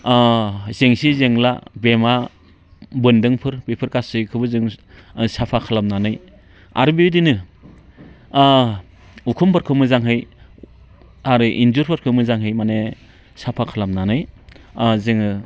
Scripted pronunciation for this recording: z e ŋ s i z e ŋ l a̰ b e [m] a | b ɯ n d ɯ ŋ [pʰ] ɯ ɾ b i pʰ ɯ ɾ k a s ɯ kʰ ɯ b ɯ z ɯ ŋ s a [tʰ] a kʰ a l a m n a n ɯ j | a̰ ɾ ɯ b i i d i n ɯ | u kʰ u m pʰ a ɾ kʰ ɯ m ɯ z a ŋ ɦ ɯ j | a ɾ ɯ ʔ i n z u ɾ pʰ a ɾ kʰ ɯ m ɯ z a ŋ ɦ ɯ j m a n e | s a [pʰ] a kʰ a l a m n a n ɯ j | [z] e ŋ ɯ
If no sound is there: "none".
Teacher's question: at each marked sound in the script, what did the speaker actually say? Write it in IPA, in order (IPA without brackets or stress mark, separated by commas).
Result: m, pʰ, pʰ, pʰ, z